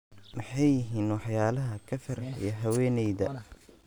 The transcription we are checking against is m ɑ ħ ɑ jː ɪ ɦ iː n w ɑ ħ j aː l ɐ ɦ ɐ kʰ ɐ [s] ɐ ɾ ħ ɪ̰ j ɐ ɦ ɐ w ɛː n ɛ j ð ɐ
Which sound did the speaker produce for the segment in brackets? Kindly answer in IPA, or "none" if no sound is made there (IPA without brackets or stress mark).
f